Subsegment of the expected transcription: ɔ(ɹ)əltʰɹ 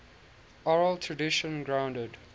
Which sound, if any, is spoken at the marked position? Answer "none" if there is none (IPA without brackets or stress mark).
ɹ